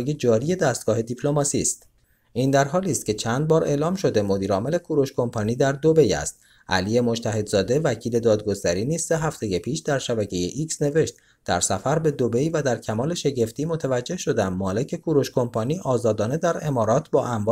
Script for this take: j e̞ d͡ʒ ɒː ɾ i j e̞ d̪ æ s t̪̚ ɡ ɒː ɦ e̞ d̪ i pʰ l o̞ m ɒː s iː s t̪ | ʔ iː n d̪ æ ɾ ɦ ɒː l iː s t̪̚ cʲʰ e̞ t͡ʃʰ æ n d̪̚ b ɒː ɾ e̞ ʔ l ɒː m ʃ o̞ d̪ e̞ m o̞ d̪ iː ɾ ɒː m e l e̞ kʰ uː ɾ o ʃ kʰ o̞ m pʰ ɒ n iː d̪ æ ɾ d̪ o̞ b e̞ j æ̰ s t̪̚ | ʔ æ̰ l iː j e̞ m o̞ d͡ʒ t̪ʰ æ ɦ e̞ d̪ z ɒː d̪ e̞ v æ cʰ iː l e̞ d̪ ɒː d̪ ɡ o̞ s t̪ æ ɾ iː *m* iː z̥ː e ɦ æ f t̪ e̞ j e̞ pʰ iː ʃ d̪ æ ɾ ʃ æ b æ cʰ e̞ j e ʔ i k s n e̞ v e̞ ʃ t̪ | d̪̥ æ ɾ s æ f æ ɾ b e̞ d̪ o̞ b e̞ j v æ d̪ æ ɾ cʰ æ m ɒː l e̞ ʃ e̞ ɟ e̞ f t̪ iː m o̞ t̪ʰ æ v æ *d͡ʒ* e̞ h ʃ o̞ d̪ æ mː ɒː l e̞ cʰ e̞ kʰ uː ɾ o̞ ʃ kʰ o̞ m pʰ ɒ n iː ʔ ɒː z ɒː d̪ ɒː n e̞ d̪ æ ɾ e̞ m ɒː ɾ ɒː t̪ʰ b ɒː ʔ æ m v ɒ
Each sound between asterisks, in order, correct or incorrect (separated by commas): incorrect, incorrect